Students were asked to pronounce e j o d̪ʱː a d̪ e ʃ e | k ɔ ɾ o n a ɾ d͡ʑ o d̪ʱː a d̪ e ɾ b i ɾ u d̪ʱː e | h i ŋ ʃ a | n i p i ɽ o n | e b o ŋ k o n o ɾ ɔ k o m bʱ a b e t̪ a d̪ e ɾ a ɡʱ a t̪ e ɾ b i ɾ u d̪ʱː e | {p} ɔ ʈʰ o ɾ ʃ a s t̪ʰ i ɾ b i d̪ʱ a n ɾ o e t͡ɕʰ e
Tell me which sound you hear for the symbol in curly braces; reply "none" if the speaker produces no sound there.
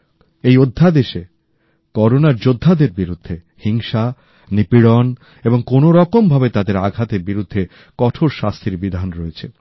k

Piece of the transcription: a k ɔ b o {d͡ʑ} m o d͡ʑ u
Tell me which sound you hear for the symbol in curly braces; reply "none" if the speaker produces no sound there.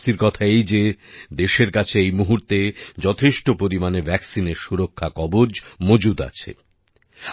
d͡ʑ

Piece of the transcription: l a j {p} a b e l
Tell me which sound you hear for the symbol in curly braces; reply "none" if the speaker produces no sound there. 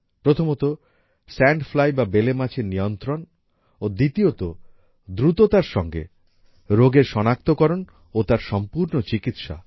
b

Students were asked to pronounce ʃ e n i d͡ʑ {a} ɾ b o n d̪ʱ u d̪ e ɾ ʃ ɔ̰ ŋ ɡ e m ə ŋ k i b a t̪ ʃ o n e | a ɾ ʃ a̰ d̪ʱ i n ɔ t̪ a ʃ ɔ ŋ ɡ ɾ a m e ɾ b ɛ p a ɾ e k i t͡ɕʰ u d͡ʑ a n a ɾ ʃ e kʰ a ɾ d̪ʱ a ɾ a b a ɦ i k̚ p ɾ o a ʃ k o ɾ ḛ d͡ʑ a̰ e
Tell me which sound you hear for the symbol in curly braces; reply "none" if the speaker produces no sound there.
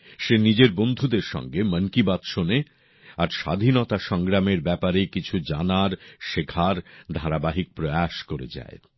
e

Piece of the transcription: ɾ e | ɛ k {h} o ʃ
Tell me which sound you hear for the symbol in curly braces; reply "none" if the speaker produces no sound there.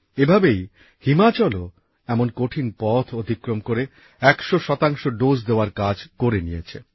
ʃ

